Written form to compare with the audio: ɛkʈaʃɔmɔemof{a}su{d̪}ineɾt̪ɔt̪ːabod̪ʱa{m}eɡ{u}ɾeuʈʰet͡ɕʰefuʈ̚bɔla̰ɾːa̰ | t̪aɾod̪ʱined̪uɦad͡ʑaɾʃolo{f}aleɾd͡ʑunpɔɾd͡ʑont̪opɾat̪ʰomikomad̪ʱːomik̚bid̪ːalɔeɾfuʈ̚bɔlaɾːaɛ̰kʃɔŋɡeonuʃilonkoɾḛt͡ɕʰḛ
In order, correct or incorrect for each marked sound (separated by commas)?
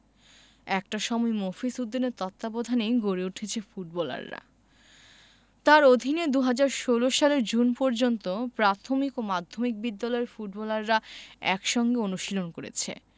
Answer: incorrect, incorrect, incorrect, incorrect, incorrect